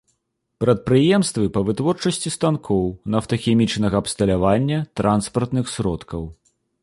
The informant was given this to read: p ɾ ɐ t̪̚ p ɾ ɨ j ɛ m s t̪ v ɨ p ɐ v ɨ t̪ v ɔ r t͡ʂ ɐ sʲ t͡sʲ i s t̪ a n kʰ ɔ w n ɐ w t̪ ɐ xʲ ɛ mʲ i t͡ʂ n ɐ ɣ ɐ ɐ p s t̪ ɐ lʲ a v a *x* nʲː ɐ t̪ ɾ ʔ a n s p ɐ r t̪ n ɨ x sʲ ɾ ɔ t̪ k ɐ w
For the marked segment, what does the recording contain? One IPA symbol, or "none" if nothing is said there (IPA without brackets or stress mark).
none